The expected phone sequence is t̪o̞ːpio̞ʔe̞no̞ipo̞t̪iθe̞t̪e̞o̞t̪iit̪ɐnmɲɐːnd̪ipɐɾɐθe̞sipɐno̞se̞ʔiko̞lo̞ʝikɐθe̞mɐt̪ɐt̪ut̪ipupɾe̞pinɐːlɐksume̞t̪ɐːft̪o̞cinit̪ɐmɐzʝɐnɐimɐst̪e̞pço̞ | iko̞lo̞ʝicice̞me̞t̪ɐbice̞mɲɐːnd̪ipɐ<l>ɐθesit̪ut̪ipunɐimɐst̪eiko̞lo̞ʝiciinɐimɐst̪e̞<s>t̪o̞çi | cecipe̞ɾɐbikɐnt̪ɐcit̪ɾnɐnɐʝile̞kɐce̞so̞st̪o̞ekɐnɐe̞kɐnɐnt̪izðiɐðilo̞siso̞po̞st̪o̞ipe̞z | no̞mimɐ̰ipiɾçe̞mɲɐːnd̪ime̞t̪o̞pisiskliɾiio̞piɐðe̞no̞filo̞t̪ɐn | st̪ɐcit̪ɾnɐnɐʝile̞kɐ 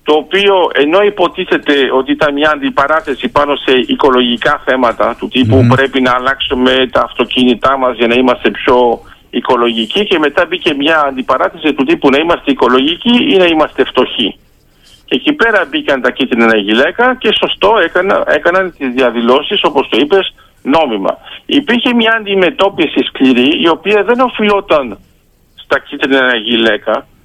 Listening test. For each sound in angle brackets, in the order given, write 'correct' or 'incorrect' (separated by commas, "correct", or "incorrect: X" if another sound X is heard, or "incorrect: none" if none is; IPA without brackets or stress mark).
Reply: incorrect: ɾ, incorrect: f